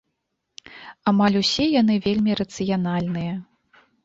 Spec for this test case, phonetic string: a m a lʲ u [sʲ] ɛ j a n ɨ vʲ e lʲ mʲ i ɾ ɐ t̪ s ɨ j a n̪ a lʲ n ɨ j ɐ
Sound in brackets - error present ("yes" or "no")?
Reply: no